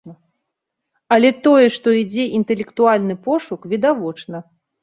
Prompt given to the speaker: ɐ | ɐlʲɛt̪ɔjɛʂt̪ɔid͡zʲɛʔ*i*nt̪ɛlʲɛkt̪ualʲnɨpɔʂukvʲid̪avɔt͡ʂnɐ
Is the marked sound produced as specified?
yes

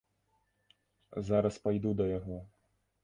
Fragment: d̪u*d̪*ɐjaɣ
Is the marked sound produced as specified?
yes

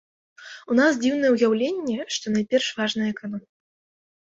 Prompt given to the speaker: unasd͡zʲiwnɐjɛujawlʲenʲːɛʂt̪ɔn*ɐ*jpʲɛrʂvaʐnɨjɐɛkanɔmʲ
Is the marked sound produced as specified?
no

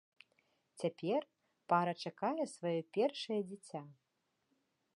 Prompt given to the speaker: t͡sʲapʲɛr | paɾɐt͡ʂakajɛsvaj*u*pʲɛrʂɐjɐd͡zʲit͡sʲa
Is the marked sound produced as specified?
no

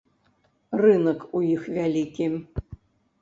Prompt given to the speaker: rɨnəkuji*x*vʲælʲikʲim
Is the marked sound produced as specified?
yes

